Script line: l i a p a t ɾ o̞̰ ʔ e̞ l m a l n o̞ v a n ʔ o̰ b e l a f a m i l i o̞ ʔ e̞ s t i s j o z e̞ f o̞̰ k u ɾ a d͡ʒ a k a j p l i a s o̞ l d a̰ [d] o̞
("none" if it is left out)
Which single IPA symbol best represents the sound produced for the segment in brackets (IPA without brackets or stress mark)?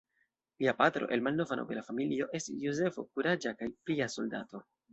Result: t